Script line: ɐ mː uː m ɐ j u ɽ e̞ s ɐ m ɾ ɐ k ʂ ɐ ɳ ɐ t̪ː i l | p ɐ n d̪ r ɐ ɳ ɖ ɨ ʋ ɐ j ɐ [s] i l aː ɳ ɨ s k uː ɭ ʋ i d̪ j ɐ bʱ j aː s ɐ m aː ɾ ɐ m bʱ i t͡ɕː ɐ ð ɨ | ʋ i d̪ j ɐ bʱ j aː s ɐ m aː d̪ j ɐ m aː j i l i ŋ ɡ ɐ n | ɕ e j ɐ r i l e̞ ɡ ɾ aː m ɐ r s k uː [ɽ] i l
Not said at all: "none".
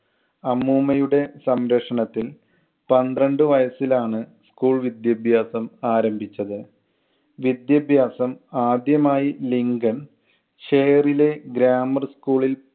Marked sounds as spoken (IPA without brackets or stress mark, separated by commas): s, ɭ